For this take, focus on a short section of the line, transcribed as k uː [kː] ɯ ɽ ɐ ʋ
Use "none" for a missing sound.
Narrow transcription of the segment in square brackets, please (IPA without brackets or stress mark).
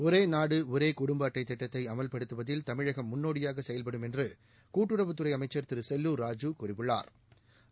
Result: ʈː